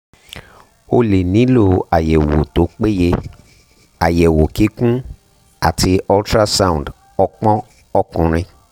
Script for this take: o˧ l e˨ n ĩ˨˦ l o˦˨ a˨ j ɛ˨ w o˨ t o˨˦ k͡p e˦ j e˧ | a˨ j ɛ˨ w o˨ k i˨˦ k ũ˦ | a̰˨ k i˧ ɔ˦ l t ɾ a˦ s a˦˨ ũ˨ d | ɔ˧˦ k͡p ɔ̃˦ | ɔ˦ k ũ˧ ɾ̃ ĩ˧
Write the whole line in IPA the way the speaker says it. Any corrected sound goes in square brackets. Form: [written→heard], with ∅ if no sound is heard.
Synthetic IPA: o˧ l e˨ n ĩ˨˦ l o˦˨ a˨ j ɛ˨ w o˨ t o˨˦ k͡p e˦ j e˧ | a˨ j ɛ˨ w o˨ k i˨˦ k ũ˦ | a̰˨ [k→t] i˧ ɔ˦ l t ɾ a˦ s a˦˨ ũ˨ d | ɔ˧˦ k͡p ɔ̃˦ | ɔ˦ k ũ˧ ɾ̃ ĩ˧